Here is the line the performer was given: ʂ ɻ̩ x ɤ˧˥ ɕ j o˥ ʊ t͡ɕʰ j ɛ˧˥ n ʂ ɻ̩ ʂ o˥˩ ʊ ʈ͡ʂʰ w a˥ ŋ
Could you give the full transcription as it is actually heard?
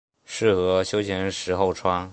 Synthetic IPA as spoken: ʂ ɻ̩ x ɤ˧˥ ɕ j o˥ ʊ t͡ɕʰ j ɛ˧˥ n ʂ ɻ̩ x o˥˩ ʊ ʈ͡ʂʰ w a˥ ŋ

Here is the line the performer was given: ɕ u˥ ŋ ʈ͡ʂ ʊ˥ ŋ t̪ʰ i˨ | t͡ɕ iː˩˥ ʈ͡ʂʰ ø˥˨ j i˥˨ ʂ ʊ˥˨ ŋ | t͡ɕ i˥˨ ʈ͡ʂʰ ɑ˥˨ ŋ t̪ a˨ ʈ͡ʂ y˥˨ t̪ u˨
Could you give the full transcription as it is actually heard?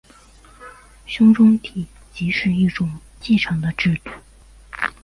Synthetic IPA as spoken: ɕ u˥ ŋ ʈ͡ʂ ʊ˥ ŋ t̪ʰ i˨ | t͡ɕ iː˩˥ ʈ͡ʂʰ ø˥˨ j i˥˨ ʈ͡ʂ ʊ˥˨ ŋ | t͡ɕ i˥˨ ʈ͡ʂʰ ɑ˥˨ ŋ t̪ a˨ ʈ͡ʂ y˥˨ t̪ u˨

